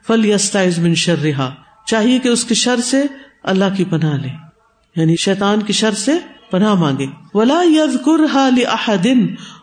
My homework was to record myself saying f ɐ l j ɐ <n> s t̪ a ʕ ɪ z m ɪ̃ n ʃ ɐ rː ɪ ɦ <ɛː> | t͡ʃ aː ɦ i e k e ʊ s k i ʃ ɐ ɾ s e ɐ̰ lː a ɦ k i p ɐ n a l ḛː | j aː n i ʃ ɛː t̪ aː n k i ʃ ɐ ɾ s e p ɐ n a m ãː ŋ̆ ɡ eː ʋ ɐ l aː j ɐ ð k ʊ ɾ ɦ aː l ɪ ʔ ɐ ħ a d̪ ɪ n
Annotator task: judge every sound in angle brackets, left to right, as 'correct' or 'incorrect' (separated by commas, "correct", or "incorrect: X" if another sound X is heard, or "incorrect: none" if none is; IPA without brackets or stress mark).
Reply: incorrect: none, incorrect: aː